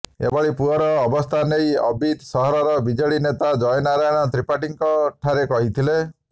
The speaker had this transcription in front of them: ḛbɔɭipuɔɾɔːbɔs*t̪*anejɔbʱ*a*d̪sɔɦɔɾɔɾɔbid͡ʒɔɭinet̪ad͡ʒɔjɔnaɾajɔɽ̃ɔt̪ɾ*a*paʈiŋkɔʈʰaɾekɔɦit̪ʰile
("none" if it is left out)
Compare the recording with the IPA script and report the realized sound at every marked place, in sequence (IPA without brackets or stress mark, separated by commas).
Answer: t̪ʰ, i, i